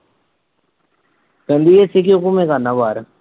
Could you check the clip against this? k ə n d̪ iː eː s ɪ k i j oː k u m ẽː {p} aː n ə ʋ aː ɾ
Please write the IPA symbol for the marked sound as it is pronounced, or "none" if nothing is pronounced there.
k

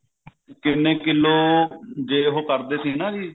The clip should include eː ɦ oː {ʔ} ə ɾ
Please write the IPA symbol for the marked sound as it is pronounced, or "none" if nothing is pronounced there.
k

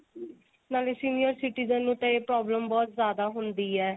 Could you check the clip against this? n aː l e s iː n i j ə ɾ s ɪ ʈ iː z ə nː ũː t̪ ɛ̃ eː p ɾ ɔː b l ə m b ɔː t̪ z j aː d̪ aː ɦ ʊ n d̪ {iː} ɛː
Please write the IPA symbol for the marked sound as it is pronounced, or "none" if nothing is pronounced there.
iː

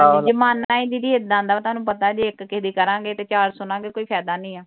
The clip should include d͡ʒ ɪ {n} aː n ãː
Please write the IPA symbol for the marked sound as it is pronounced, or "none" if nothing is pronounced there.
m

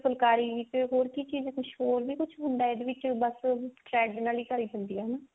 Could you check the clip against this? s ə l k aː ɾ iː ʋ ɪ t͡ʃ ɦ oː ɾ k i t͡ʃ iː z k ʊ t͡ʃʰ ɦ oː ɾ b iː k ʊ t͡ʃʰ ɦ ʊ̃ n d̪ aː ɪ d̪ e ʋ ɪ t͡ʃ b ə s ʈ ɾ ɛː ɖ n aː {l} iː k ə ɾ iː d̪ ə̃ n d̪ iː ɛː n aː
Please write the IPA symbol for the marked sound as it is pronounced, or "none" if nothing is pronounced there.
l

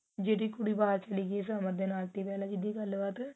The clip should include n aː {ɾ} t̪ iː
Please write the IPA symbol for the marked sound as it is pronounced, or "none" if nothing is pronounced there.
l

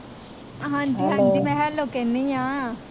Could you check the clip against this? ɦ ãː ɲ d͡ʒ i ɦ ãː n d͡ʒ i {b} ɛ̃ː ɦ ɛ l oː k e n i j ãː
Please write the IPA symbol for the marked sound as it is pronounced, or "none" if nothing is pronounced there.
m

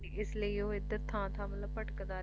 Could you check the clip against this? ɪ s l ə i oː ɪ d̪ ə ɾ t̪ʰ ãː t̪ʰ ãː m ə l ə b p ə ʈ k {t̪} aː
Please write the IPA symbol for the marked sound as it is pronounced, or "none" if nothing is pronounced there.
d̪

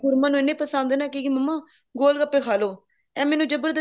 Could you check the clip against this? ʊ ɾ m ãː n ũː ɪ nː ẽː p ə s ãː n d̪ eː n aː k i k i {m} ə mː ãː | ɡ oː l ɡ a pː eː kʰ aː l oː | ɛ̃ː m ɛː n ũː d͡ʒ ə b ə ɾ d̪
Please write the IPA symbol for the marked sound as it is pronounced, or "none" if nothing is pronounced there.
m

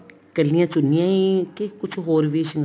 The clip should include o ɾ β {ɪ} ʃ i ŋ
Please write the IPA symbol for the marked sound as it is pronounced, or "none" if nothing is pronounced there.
i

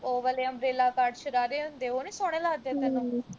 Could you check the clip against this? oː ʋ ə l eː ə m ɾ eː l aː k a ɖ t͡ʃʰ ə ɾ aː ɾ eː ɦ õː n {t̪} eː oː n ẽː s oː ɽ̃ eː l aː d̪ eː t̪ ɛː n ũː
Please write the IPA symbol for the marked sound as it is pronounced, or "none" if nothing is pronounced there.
d̪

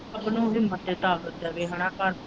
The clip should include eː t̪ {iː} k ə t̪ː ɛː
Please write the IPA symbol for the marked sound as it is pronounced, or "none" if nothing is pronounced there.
aː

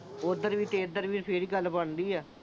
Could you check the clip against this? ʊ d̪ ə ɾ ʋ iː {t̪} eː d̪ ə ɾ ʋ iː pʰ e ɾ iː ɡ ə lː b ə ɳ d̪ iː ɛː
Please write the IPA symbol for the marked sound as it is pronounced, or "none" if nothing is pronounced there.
t̪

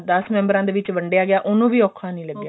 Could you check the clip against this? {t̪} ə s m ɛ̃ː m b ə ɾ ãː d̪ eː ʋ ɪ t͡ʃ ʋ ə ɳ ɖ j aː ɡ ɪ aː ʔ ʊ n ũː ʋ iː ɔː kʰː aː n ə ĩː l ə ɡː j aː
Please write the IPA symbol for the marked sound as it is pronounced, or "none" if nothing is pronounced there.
d̪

